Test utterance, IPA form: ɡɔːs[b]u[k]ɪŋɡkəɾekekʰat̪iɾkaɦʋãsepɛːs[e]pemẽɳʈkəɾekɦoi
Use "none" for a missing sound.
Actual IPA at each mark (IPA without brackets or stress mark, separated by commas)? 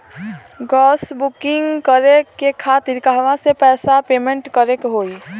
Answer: b, k, a